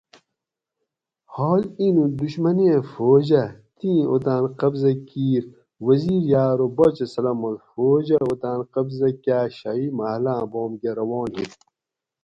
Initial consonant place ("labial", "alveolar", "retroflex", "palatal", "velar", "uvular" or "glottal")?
glottal